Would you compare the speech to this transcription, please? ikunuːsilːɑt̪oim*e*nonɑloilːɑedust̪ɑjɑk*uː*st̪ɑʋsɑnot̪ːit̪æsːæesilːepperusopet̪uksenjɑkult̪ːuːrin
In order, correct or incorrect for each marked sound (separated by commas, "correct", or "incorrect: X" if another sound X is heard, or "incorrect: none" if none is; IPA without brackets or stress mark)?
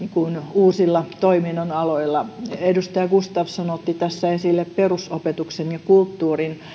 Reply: incorrect: i, incorrect: u